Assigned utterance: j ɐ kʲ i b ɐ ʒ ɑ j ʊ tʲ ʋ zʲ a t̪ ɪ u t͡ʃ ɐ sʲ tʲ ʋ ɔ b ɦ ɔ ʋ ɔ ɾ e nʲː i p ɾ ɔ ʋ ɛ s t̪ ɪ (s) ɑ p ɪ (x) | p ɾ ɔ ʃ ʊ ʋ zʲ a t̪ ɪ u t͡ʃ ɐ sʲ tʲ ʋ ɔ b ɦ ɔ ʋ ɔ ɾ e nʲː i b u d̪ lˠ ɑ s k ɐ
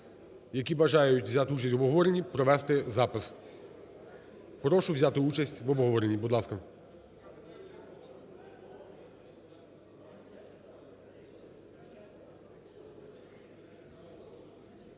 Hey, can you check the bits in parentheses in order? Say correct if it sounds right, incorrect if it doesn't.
incorrect: z, incorrect: s

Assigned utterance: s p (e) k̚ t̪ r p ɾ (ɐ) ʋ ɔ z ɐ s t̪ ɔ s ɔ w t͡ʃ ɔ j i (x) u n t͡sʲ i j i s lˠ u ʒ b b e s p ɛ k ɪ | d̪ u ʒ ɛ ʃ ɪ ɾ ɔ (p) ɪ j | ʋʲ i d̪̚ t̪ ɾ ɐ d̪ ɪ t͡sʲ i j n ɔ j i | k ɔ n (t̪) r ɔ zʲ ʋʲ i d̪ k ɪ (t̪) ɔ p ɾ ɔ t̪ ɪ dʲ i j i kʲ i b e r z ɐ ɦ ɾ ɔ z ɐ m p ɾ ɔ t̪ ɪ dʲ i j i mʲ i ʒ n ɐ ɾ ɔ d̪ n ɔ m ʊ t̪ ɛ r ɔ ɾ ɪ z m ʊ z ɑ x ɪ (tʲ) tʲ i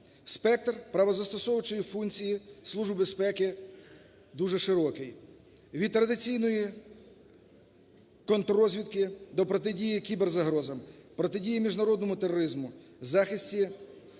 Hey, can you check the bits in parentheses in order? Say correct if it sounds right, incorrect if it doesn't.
incorrect: ɛ, correct, incorrect: f, incorrect: k, correct, incorrect: d̪, incorrect: sʲ

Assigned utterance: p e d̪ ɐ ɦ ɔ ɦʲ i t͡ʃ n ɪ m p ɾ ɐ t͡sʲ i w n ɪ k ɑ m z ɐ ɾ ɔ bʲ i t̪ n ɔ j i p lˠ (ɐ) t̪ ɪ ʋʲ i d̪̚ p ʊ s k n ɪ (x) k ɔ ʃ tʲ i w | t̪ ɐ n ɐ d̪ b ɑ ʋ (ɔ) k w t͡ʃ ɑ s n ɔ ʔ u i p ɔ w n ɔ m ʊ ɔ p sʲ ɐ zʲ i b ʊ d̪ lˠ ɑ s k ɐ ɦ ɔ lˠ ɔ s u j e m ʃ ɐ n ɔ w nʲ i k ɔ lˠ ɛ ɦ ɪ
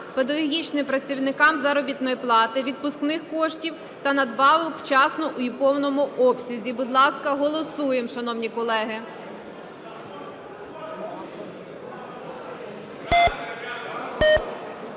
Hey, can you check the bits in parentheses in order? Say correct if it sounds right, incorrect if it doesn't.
incorrect: ɑ, correct, correct

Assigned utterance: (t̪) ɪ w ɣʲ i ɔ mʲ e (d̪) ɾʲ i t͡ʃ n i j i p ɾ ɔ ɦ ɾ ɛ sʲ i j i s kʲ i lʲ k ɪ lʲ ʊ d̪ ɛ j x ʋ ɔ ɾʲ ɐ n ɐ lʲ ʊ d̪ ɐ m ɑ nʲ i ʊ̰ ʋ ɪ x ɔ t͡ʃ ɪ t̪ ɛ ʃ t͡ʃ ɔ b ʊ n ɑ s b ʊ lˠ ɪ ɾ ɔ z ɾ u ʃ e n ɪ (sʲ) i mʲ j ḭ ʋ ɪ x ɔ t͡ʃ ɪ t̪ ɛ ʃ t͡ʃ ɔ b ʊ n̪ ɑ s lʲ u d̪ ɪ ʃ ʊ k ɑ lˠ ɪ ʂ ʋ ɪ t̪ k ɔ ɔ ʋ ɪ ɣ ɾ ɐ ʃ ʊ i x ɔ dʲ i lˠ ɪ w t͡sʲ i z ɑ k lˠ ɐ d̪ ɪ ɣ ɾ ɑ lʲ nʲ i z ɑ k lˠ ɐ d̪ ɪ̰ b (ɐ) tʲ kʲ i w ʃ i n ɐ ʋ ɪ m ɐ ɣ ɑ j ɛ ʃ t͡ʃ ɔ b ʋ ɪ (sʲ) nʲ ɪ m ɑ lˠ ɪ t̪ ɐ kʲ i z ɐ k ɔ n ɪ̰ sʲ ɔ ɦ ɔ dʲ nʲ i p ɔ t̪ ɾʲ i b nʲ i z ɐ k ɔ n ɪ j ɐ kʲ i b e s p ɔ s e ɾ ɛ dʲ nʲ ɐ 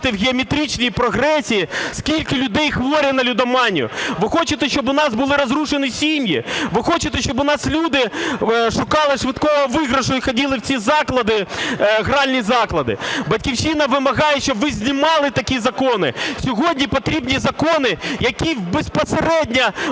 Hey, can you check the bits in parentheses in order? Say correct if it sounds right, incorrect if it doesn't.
correct, incorrect: t̪, correct, correct, incorrect: zʲ

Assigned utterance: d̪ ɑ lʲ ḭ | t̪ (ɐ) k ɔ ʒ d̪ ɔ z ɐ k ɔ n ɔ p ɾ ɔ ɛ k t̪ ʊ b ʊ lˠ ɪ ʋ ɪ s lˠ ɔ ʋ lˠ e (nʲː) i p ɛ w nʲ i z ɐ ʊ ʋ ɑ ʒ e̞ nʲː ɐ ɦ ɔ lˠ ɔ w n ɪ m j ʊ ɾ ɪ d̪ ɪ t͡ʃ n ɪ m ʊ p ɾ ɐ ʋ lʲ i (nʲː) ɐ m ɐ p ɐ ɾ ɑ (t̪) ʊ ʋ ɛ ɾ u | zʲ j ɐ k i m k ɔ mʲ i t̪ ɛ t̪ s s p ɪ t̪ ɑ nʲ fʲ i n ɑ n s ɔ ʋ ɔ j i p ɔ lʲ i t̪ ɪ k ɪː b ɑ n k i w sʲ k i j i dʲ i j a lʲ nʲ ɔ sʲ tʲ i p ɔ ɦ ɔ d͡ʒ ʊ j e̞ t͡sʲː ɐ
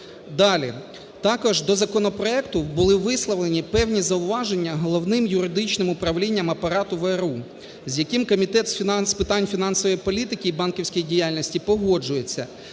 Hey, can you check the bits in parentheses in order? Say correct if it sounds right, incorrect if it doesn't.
incorrect: ɑ, incorrect: nʲ, correct, correct

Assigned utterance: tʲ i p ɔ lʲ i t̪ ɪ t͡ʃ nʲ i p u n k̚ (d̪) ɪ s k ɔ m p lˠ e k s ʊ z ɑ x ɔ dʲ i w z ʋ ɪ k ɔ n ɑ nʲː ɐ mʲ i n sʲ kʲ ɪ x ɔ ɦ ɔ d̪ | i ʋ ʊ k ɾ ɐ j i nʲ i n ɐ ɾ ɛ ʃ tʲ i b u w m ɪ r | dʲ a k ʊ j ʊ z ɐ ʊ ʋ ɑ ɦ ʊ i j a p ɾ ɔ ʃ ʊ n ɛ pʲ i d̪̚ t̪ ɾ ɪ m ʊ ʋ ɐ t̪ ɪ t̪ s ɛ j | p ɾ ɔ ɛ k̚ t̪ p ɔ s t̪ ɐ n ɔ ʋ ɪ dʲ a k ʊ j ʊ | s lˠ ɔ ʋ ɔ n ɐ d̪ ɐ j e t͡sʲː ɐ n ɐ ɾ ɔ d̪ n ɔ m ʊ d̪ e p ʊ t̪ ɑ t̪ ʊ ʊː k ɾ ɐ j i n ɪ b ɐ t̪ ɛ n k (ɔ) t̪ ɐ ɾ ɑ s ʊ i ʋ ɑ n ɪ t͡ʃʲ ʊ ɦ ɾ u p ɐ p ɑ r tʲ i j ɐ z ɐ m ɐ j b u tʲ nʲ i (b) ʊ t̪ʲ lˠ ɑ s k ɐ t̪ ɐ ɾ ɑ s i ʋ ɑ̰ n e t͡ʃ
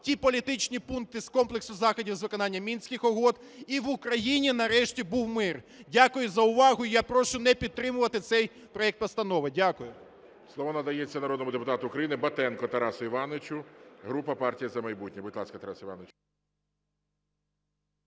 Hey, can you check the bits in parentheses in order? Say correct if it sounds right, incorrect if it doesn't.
incorrect: t̪, correct, correct

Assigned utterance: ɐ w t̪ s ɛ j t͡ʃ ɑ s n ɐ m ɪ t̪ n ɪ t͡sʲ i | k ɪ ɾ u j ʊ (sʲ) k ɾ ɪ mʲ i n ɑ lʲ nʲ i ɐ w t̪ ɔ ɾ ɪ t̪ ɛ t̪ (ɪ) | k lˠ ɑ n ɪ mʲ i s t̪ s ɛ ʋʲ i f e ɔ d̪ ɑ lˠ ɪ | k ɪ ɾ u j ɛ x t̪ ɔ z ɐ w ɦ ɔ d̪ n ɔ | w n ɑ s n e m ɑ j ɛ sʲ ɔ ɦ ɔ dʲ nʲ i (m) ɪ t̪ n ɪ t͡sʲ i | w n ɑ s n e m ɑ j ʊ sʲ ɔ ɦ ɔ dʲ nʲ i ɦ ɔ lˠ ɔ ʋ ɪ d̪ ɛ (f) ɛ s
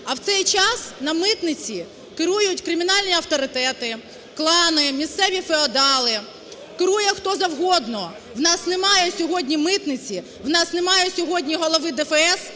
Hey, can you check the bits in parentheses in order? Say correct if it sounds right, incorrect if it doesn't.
incorrect: tʲ, correct, correct, correct

